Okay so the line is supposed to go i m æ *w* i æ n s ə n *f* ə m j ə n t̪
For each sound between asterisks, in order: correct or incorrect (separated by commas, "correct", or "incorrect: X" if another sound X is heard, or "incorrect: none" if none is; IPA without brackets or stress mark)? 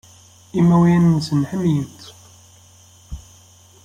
correct, incorrect: ħ